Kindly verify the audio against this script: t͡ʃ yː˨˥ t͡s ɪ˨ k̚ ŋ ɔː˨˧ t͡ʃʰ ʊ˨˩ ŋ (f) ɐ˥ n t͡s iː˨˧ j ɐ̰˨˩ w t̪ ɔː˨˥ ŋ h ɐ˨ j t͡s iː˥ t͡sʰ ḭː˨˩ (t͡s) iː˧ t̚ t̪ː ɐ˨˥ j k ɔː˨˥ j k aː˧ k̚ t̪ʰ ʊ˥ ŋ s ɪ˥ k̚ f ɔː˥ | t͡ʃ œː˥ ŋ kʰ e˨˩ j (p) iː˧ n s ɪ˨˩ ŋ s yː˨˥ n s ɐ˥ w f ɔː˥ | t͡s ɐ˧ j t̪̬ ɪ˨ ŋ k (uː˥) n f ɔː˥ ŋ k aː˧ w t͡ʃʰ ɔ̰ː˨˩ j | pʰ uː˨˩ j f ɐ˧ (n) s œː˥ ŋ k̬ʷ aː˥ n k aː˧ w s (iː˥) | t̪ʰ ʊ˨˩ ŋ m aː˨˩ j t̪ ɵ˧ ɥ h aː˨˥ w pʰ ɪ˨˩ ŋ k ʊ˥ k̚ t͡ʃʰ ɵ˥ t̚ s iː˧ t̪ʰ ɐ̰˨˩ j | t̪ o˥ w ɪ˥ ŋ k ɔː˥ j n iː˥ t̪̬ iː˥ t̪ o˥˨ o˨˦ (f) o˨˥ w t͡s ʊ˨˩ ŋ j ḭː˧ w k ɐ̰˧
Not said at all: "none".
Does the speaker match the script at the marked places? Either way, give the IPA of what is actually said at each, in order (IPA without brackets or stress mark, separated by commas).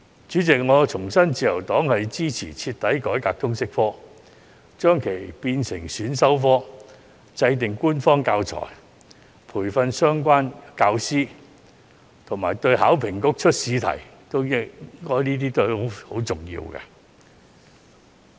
s, t͡sʰ, p, uː˥, n, iː˥, h